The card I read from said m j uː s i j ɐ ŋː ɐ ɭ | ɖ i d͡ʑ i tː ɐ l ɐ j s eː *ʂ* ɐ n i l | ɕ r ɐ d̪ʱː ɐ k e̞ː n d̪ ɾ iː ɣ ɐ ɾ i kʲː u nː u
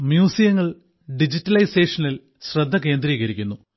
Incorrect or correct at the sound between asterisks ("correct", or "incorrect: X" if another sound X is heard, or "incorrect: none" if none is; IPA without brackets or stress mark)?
correct